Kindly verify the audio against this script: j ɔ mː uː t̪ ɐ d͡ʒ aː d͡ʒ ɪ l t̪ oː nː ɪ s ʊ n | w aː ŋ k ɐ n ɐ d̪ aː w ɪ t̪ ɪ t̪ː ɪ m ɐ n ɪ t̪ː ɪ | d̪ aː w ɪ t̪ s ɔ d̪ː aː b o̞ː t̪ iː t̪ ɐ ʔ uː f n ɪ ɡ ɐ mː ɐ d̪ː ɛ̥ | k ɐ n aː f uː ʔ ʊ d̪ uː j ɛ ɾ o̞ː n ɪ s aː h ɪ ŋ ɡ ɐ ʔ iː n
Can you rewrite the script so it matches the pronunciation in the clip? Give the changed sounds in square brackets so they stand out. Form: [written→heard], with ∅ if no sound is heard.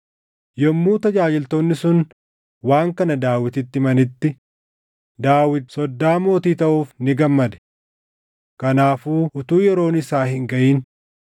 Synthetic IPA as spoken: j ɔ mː uː t̪ ɐ d͡ʒ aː d͡ʒ ɪ l t̪ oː nː ɪ s ʊ n | w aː ŋ k ɐ n ɐ d̪ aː w ɪ t̪ ɪ t̪ː ɪ m ɐ n ɪ t̪ː ɪ | d̪ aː w ɪ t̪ s ɔ d̪ː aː [b→m] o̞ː t̪ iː t̪ ɐ ʔ uː f n ɪ ɡ ɐ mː ɐ [d̪ː→d̪] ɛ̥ | k ɐ n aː f uː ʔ ʊ [d̪→t̪] uː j ɛ ɾ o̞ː n ɪ s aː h ɪ ŋ ɡ ɐ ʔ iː n